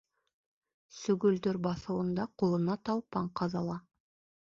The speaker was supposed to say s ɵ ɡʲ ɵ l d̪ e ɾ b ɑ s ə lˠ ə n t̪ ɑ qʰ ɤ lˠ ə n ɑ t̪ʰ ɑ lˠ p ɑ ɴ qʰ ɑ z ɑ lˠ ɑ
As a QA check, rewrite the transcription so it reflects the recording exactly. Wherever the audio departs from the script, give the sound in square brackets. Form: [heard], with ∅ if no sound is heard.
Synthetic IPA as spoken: s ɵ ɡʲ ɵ l d̪ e ɾ b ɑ s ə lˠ ə n [d̪] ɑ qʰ [o] lˠ ə n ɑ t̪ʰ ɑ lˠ p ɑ ɴ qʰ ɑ z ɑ lˠ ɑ

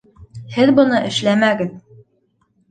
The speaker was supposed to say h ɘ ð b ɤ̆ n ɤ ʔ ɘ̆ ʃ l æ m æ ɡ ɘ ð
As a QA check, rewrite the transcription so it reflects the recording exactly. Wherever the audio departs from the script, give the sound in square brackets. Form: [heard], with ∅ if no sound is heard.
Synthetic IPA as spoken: h ɘ ð b ɤ̆ n ɤ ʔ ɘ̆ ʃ l æ m æ ɡ ɘ ð

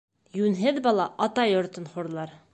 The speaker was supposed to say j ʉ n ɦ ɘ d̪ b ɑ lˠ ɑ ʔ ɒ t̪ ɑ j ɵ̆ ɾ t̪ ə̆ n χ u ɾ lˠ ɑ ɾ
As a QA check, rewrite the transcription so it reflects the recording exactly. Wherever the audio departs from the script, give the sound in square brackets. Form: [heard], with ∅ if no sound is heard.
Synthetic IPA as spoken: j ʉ n ɦ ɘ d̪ b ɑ lˠ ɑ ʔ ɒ t̪ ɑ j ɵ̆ ɾ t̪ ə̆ n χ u ɾ lˠ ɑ ɾ

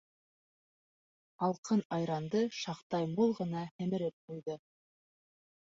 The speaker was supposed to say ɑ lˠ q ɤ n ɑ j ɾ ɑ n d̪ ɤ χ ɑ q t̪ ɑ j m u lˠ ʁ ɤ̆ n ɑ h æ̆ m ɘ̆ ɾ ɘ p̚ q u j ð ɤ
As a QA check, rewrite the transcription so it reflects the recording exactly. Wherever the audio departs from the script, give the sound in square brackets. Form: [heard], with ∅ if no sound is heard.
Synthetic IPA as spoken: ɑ lˠ q ɤ n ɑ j ɾ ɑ n d̪ ɤ [ʃ] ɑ q t̪ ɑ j m u lˠ ʁ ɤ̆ n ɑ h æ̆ m ɘ̆ ɾ ɘ p̚ q u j ð ɤ

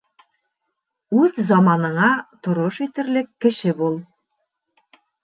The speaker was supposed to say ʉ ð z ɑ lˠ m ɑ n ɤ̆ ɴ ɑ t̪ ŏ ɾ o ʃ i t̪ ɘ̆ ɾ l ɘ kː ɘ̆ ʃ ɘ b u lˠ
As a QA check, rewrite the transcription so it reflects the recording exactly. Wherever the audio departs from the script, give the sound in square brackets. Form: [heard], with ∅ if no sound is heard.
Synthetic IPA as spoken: ʉ ð z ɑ [∅] m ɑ n ɤ̆ ɴ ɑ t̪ ŏ ɾ o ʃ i t̪ ɘ̆ ɾ l ɘ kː ɘ̆ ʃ ɘ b u lˠ

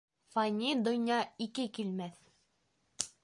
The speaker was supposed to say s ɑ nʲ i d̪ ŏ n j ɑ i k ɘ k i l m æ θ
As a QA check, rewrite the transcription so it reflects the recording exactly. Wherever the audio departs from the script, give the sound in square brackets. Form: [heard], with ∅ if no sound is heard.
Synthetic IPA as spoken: [f] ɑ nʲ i d̪ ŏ n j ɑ i k ɘ k i l m æ θ

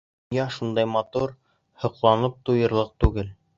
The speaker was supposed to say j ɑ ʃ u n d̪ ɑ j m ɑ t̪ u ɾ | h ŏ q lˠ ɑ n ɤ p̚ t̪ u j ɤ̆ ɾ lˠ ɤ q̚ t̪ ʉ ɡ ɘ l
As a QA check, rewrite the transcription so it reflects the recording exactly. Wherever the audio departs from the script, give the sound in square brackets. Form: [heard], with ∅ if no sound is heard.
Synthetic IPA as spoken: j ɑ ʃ u n d̪ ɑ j m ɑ t̪ u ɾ | h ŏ q lˠ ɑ n ɤ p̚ t̪ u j ɤ̆ ɾ lˠ ɤ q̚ t̪ ʉ ɡ ɘ l

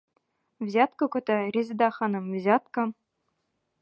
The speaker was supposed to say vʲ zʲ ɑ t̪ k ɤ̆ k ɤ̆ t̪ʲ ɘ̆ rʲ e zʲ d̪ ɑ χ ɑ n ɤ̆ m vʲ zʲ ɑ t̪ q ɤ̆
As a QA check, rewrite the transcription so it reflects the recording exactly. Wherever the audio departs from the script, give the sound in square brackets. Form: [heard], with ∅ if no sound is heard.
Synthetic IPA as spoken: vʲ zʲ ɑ t̪ k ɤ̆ k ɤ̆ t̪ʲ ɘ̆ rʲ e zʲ d̪ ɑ χ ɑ n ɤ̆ m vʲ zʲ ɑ t̪ [k] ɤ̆

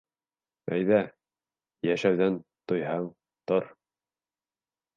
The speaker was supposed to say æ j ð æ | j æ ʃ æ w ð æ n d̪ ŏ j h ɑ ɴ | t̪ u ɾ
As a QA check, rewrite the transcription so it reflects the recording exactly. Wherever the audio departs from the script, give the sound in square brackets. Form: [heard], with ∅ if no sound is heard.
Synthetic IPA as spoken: æ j ð æ | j æ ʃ æ w ð æ n [t̪] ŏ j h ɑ ɴ | t̪ [o] ɾ

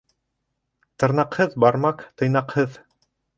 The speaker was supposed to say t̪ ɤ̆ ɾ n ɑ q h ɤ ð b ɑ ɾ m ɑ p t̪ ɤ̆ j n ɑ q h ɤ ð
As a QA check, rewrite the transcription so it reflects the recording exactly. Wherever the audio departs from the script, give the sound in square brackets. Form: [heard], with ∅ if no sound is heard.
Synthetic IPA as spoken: t̪ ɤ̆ ɾ n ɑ q h ɤ ð b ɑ ɾ m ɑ [q] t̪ ɤ̆ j n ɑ q h ɤ ð

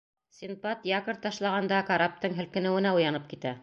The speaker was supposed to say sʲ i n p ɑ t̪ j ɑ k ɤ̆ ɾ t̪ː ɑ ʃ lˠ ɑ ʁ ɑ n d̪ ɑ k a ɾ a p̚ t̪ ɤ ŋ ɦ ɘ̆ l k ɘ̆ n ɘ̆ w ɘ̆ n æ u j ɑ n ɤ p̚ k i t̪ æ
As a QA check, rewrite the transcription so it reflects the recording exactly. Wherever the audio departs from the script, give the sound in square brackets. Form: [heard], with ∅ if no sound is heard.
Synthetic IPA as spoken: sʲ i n p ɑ t̪ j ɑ k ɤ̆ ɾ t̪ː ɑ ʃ lˠ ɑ ʁ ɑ n d̪ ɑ k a ɾ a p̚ t̪ ɤ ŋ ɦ ɘ̆ l k ɘ̆ n ɘ̆ w ɘ̆ n æ u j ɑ n ɤ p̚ k i t̪ æ

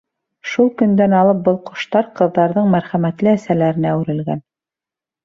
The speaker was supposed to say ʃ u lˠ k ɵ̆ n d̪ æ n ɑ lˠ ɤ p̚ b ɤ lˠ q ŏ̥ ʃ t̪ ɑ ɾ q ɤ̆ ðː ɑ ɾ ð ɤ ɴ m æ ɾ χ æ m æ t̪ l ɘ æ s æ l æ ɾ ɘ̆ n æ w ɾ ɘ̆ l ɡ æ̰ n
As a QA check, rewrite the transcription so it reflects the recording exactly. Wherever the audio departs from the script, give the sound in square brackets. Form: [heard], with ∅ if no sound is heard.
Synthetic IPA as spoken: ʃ u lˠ k ɵ̆ n d̪ æ n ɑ lˠ ɤ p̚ b ɤ lˠ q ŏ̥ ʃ t̪ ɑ ɾ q ɤ̆ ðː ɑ ɾ ð ɤ ɴ m æ ɾ χ æ m æ t̪ l ɘ æ s æ l æ ɾ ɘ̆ n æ w ɾ ɘ̆ l ɡ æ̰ n

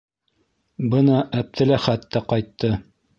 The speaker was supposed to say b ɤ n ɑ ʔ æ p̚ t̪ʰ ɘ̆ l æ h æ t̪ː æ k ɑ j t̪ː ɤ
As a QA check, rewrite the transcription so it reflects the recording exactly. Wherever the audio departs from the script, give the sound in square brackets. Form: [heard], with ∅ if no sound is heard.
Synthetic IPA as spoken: b ɤ n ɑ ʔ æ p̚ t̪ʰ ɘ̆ l æ [χ] æ t̪ː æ [q] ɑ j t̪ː ɤ

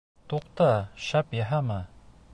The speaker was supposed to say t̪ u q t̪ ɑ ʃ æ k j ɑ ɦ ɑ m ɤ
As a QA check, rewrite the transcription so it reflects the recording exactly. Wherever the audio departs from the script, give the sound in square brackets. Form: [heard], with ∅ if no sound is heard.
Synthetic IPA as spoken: t̪ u q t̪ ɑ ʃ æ [p] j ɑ ɦ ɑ m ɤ

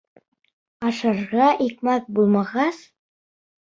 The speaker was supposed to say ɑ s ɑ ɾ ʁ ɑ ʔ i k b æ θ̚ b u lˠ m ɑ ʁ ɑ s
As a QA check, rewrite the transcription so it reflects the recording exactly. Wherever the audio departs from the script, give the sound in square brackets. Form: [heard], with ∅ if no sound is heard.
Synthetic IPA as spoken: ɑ [ʃ] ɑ ɾ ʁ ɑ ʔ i k [m] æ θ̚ b u lˠ m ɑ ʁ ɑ s

